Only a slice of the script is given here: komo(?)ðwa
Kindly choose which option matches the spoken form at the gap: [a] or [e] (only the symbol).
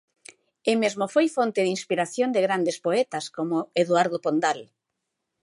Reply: e